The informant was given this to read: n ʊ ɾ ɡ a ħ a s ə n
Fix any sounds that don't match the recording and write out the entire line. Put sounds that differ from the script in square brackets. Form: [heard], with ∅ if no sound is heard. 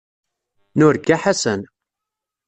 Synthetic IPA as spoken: n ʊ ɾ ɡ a ħ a s ə n